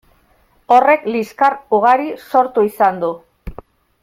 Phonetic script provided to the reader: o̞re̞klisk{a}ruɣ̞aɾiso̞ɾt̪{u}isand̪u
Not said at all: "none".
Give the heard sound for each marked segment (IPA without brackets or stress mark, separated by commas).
a, u